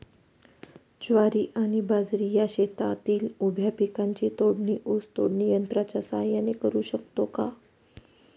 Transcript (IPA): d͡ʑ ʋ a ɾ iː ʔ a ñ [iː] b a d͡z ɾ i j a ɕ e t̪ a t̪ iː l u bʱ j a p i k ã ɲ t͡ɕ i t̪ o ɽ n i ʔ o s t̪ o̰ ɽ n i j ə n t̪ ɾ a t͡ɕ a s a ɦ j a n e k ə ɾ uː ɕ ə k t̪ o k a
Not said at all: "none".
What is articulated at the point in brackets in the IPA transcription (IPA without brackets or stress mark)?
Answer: i